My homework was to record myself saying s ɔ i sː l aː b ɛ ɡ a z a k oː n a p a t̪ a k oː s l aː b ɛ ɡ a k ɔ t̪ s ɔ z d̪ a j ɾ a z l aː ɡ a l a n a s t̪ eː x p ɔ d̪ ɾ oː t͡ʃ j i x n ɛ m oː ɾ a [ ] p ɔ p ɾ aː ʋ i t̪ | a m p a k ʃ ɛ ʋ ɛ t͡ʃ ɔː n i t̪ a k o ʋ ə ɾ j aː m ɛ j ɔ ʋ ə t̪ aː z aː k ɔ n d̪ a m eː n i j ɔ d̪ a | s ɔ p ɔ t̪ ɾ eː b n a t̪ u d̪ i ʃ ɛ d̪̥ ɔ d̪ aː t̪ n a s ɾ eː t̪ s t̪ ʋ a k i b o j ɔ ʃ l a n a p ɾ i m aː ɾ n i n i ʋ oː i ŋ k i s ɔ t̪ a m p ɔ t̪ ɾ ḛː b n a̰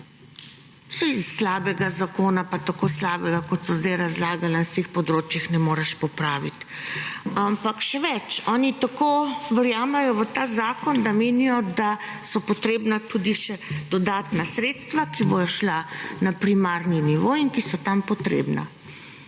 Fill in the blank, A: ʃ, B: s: A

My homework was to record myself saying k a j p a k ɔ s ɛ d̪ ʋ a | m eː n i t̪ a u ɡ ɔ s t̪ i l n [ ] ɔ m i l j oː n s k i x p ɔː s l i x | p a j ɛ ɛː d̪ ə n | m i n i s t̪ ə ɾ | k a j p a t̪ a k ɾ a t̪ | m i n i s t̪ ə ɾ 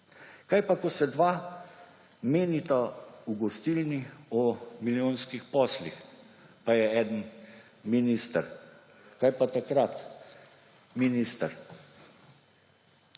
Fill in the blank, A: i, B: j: A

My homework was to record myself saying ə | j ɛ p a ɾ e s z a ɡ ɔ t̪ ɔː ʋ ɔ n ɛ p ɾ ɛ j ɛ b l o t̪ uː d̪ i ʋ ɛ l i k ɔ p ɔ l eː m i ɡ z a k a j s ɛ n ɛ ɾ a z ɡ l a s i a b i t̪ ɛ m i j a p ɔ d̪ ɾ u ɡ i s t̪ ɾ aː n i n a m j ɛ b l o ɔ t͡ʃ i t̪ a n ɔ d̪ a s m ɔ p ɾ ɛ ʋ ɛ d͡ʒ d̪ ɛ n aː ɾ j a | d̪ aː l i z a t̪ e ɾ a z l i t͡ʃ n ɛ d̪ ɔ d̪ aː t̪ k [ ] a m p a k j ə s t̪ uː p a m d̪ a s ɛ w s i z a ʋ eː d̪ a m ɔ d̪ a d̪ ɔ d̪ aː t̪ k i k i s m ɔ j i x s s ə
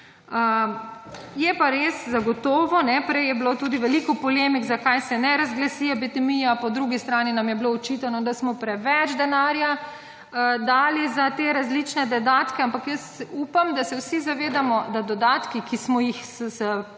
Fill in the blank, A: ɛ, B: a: A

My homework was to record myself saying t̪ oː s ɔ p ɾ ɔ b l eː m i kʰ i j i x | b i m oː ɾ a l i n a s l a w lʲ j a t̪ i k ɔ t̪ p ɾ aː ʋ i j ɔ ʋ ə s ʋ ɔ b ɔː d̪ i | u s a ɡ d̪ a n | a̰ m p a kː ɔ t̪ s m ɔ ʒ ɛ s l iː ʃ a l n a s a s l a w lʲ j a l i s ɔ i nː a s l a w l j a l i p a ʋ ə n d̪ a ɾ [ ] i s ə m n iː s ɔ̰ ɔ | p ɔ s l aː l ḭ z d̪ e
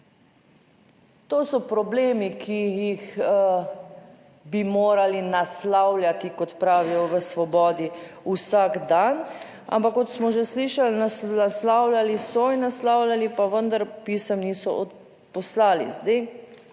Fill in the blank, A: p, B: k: A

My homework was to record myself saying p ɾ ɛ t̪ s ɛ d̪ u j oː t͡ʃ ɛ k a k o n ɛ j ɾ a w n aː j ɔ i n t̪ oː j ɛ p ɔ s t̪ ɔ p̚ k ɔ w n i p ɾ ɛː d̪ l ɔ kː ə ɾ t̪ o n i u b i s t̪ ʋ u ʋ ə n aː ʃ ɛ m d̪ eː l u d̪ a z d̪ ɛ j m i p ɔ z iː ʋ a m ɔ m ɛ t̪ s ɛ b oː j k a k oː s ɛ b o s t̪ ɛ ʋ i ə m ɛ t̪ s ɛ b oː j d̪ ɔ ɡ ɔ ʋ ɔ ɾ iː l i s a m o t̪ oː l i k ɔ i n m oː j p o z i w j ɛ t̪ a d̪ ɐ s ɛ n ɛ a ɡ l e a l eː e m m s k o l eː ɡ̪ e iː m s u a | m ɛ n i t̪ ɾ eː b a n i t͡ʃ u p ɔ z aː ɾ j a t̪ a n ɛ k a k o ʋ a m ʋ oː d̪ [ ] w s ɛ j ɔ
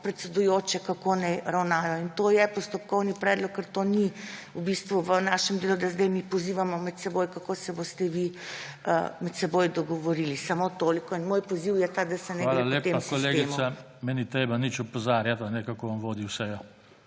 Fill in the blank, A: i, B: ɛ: A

